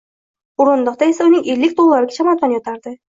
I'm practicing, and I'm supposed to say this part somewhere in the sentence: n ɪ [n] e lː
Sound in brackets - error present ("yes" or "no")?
yes